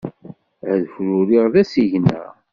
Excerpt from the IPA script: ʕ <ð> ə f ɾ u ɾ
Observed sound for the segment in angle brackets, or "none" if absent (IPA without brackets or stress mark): ð